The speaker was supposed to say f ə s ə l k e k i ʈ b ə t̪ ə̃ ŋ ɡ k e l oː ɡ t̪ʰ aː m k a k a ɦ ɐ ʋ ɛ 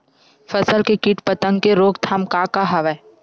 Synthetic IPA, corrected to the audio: f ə s ə l k e k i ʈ p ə t̪ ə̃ ŋ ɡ k e ɾ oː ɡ t̪ʰ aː m k a k a ɦ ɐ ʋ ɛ